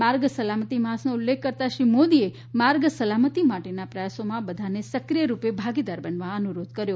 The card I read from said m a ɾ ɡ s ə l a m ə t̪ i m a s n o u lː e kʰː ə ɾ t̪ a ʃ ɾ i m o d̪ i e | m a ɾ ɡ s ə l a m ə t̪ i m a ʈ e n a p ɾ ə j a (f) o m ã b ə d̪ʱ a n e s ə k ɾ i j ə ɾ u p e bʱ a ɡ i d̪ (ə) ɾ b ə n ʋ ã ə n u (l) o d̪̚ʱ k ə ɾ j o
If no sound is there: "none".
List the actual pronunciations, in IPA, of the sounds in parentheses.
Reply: s, a, ɾ

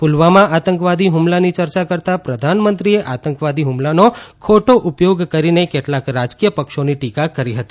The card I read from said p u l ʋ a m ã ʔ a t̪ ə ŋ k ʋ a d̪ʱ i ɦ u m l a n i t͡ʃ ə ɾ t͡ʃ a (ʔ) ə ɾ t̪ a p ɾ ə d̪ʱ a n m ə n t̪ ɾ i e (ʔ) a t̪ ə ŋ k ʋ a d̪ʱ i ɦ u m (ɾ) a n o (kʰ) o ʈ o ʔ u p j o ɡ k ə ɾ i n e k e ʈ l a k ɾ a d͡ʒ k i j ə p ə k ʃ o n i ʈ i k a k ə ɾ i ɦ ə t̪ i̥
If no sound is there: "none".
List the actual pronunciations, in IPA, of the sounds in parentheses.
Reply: k, ʔ, l, kʰ

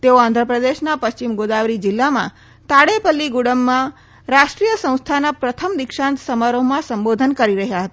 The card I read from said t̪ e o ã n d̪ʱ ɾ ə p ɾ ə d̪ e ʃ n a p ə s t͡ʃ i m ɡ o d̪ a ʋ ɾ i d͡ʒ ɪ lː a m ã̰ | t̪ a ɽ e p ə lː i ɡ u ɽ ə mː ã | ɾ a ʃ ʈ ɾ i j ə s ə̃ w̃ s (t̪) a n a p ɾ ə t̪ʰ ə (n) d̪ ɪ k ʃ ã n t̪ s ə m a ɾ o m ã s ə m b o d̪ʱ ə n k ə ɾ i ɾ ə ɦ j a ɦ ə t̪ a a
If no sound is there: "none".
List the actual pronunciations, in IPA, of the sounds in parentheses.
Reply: t̪ʰ, m

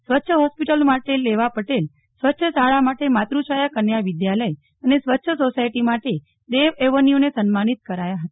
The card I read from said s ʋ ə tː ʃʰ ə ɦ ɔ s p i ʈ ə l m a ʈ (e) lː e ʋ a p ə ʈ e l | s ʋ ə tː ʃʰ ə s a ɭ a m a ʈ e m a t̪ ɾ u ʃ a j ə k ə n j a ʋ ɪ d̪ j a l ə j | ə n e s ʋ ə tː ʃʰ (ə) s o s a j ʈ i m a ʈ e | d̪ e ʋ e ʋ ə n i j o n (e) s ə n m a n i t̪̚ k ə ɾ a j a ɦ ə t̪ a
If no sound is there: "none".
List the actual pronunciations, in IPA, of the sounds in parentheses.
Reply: e, ə, e

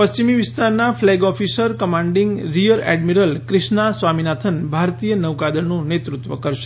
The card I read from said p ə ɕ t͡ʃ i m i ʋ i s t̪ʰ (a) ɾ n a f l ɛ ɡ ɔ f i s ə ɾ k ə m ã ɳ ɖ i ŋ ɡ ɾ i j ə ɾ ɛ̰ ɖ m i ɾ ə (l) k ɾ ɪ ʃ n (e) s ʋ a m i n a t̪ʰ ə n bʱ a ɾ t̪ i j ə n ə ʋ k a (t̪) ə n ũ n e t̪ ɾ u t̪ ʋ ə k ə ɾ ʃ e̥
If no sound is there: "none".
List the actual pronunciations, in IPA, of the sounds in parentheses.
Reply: a, l, a, d̪

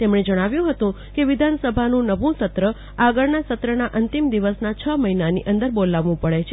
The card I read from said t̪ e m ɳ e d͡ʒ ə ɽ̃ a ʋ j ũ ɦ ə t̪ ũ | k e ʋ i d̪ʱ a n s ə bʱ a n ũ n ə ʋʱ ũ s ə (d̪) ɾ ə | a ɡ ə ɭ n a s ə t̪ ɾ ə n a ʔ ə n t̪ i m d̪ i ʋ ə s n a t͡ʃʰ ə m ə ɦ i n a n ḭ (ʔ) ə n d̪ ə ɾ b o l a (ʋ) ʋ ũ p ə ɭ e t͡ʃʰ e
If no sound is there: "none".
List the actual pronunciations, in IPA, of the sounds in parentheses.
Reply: t̪, ʔ, ʋ

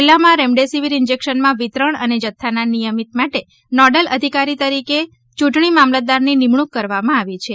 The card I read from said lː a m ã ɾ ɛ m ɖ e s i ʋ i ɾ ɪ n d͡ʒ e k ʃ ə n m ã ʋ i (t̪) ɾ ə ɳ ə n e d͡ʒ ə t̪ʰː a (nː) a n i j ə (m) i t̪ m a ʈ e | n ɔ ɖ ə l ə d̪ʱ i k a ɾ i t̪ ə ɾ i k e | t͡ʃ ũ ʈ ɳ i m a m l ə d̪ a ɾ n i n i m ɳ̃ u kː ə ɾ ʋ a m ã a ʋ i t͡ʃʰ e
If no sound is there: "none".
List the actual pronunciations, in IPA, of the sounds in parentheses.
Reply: t̪, n, m

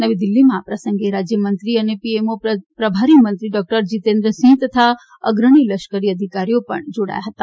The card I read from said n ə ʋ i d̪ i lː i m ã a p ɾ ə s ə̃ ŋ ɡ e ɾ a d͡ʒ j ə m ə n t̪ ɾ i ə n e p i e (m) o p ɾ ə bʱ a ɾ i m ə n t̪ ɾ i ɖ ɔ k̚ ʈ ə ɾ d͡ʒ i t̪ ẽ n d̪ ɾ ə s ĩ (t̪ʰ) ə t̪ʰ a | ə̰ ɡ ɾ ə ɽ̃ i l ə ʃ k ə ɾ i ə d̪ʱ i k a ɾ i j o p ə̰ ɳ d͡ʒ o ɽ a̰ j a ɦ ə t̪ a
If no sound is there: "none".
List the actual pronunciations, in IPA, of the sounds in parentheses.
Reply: m, t̪

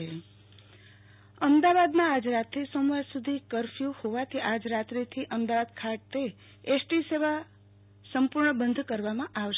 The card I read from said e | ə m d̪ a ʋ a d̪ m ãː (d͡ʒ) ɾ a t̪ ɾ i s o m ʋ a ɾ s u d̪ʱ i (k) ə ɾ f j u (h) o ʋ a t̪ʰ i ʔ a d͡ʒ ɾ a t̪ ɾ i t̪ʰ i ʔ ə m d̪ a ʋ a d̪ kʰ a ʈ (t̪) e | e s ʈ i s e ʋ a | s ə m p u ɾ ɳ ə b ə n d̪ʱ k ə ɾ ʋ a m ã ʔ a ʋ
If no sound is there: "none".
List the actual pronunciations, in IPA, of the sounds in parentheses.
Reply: d͡ʒ, k, h, t̪

